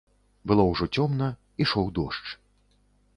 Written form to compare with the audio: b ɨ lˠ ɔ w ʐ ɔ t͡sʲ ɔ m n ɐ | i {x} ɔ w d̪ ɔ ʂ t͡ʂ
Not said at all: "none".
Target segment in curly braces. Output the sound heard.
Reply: ʂ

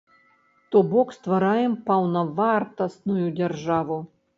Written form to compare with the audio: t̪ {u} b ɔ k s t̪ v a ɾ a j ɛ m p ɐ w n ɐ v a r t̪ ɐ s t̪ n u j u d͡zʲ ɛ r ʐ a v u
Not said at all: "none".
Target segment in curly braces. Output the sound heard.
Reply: ɔ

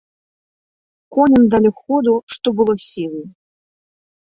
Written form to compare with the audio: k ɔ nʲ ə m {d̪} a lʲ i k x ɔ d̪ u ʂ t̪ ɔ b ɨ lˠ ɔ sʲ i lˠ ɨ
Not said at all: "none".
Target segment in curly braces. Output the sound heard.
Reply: d̪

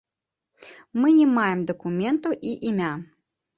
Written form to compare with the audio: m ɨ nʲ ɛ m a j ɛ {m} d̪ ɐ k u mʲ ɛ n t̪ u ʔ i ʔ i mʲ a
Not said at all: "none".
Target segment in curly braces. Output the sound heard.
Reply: m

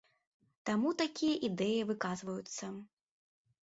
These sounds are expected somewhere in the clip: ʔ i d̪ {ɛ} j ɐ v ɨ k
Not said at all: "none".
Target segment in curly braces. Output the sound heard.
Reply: ɛ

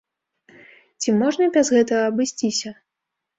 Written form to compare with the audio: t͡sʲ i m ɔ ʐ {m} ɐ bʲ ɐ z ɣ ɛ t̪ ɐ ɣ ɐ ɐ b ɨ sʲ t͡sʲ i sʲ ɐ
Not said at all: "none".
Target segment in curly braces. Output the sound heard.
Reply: n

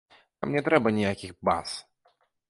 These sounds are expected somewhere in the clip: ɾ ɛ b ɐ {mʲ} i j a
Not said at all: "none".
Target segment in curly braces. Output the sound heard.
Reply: nʲ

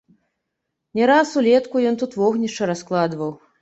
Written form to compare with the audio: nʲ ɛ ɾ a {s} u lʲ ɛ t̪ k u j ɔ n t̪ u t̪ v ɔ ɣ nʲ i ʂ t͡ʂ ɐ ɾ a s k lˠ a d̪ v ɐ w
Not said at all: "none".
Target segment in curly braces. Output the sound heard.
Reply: s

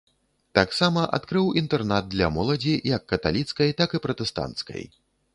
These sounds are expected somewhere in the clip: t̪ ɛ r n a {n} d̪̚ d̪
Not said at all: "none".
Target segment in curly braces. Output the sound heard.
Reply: none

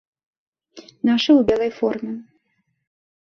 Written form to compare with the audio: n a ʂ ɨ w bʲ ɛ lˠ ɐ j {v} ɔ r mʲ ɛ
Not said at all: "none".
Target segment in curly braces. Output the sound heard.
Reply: f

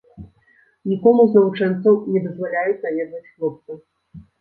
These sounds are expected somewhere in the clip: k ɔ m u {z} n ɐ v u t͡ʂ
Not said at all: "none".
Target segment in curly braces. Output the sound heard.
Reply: z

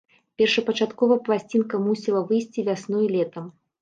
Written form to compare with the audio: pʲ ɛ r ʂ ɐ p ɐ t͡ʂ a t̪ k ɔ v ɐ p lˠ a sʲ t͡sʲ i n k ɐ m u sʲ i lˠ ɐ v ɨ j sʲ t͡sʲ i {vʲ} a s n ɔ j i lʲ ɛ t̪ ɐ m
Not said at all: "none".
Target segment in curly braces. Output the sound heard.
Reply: vʲ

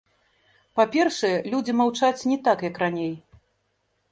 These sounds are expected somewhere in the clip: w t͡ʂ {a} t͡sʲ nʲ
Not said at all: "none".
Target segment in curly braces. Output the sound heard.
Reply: a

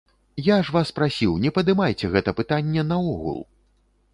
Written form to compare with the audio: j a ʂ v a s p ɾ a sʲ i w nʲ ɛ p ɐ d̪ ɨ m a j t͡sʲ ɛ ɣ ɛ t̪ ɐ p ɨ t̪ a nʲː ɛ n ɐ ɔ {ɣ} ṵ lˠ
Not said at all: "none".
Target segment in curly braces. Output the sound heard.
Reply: ɣ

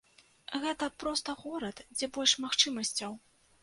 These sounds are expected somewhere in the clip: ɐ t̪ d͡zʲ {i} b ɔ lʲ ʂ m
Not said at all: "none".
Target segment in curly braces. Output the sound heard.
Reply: ɛ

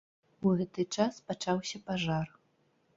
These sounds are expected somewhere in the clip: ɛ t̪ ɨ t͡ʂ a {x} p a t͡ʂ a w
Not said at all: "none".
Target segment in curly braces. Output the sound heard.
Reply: s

